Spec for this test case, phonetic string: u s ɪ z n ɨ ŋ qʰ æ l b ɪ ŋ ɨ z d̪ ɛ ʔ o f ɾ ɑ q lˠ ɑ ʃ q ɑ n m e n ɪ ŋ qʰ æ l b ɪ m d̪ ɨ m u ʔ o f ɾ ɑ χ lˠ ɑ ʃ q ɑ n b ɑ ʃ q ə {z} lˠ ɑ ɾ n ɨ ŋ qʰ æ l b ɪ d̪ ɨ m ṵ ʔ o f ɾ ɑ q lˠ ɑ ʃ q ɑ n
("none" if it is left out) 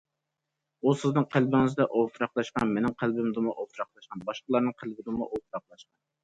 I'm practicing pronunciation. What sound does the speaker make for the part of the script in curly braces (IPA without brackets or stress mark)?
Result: none